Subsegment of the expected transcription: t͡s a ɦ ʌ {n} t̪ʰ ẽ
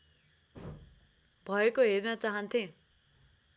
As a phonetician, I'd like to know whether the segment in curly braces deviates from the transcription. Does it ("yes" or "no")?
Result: no